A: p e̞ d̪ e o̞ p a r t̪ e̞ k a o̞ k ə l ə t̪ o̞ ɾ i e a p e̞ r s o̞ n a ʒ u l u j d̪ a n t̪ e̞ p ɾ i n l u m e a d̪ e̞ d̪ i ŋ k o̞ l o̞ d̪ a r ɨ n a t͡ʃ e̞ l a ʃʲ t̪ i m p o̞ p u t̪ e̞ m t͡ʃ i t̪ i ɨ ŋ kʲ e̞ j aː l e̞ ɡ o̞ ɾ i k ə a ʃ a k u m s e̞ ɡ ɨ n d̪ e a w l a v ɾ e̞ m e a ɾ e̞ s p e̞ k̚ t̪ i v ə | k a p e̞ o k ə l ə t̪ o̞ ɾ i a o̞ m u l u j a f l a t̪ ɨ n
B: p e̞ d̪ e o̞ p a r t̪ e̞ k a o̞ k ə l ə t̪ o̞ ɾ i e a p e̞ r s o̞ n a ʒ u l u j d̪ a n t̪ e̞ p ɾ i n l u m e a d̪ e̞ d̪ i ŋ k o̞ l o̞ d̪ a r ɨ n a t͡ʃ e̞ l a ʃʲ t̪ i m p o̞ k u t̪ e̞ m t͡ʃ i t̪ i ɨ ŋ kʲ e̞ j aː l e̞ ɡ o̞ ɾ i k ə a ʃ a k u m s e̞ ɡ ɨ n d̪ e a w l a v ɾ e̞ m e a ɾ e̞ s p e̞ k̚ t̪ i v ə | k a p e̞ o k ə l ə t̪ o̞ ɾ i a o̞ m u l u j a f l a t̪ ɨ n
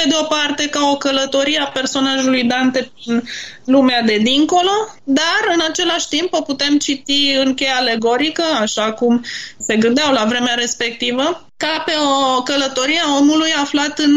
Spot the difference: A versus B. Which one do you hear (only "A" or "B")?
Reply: A